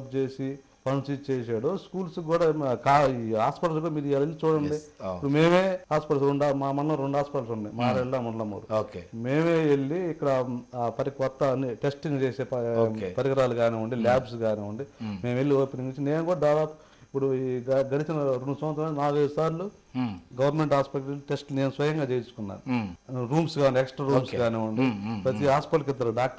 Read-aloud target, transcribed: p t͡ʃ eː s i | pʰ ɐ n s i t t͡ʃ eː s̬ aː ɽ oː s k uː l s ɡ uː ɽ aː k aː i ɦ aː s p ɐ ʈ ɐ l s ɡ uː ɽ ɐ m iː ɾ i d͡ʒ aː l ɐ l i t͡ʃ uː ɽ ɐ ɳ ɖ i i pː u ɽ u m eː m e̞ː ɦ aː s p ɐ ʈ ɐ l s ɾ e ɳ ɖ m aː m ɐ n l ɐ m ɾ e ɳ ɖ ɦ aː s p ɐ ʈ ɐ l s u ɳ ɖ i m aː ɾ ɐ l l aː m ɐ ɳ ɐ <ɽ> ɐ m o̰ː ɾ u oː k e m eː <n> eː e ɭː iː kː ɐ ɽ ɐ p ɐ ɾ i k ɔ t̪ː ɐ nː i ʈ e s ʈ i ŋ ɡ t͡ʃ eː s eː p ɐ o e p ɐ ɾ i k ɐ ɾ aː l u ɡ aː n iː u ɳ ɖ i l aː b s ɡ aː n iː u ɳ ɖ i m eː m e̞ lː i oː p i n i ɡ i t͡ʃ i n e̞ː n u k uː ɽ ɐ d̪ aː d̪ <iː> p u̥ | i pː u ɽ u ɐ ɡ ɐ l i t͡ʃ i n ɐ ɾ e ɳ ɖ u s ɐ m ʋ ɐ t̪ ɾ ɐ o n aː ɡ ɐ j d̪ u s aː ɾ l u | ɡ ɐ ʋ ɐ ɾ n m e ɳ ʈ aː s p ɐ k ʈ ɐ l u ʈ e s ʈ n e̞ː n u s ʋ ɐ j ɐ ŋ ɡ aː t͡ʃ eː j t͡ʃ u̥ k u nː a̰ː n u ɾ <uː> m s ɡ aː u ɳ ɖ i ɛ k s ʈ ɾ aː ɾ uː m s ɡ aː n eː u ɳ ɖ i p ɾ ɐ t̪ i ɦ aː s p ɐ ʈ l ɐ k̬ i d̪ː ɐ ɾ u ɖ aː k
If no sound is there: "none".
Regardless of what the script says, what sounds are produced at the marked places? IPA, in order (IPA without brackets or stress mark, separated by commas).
l, m, aː, uː